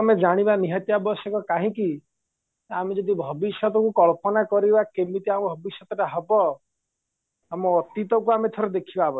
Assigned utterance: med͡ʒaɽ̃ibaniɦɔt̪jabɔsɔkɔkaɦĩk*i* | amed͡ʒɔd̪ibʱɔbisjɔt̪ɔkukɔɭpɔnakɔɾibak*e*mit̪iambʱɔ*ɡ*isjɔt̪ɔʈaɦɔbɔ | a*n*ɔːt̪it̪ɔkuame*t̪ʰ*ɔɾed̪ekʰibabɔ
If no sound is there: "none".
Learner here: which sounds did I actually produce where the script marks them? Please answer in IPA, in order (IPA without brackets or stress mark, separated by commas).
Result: i, e, b, m, t̪ʰ